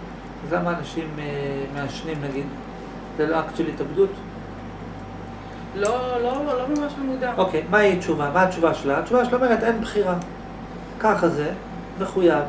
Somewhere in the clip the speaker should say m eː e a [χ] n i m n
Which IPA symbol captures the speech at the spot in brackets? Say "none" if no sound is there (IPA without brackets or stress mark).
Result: ʃ